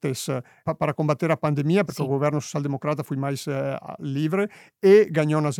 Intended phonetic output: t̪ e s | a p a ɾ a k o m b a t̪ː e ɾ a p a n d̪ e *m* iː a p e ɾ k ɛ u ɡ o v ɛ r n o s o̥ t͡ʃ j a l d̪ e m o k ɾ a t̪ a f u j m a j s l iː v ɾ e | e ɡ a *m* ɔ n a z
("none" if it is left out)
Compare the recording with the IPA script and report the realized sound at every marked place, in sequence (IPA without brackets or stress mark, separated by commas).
m, ɲ